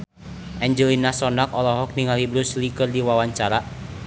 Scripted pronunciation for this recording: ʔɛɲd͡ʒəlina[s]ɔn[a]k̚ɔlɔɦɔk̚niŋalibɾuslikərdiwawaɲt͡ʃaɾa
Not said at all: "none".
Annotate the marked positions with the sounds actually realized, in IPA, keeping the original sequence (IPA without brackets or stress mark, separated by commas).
s, a